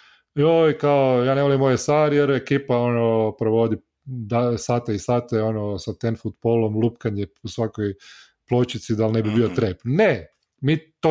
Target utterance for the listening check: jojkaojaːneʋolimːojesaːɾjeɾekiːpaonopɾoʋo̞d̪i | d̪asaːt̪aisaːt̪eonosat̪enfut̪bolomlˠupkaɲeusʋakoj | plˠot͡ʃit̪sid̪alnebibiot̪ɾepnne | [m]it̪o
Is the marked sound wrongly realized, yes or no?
no